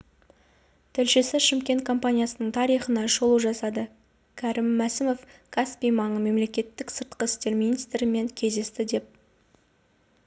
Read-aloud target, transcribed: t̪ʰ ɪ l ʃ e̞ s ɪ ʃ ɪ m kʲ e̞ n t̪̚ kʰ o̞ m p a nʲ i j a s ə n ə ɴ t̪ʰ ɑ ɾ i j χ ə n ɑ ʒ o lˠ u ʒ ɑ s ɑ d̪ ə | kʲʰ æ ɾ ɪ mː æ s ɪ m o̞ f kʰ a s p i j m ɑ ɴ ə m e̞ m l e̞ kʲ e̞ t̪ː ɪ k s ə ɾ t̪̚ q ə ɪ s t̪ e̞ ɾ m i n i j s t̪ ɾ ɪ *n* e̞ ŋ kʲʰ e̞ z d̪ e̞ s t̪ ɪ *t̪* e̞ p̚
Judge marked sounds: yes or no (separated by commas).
no, no